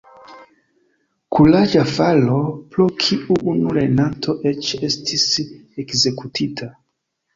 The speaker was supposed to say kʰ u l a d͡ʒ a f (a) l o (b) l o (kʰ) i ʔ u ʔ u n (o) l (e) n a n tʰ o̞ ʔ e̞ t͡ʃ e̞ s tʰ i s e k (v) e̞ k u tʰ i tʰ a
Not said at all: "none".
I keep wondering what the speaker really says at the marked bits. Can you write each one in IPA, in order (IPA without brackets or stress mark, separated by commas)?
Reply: a, p, kʰ, u, e, z